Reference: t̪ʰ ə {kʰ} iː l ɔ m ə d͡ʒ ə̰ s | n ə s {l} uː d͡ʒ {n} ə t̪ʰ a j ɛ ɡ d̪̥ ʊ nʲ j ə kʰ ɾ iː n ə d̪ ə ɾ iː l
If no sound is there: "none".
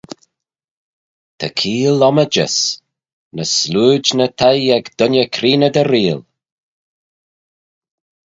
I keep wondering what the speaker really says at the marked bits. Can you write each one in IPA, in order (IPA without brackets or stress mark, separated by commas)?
kʰ, l, n